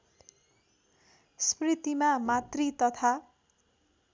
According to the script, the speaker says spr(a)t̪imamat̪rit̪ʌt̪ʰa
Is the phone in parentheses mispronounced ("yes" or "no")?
yes